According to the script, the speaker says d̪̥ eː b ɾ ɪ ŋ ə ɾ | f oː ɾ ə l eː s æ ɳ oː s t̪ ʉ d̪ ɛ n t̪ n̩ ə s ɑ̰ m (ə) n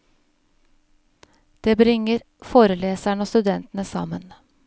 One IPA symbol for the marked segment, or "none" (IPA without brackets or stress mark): ə